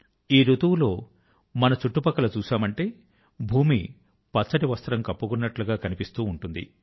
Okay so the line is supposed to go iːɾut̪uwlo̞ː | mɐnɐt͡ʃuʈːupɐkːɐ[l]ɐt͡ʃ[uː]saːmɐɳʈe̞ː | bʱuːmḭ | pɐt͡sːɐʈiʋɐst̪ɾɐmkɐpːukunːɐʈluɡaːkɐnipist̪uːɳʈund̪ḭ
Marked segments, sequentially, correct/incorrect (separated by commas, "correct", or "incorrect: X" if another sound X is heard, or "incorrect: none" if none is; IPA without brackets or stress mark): correct, correct